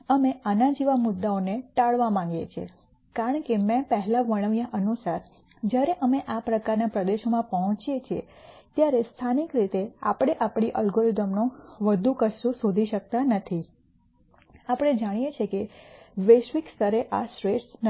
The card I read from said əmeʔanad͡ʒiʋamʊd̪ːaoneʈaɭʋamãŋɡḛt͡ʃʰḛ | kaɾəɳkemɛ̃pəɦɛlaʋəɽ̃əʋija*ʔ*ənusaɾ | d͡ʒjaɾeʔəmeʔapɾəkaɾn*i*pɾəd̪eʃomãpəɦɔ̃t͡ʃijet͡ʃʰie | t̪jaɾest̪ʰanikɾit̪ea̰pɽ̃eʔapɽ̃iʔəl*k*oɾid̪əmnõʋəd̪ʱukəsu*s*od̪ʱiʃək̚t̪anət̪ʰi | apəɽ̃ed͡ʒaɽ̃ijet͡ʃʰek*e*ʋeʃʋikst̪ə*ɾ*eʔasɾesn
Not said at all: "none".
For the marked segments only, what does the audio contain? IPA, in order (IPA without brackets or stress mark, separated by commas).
ʔ, a, ɡ, s, e, ɾ